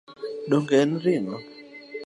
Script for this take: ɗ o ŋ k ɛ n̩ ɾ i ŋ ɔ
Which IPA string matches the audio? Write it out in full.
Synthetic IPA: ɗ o ŋ ɡ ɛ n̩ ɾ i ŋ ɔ